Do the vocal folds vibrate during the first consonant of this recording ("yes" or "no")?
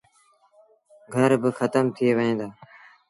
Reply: yes